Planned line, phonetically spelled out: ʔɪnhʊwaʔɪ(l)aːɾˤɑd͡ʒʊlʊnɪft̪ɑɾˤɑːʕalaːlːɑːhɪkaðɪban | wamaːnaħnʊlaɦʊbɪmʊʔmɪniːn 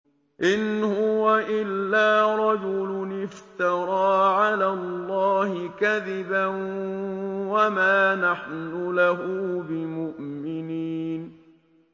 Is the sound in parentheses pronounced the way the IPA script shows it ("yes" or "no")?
no